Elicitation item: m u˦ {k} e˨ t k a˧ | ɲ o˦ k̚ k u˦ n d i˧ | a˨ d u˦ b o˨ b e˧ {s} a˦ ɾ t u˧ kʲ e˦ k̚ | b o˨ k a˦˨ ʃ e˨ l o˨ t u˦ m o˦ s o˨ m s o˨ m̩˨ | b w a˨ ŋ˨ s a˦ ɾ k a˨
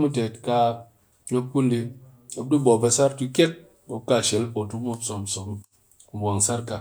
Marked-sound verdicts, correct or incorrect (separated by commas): incorrect, correct